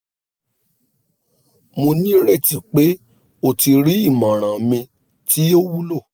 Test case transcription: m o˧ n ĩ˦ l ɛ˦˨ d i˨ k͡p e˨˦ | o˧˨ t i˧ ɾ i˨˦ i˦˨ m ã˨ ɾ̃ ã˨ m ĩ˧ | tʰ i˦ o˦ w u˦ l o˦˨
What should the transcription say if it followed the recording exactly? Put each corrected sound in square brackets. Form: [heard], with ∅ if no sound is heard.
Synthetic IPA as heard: m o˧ n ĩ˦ [ɾ] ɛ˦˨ [t] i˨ k͡p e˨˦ | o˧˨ t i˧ ɾ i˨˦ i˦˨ m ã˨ ɾ̃ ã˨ m ĩ˧ | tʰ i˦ o˦ w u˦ l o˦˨